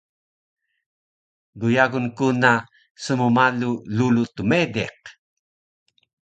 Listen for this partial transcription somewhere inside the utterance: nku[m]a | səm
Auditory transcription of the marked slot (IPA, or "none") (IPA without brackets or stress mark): n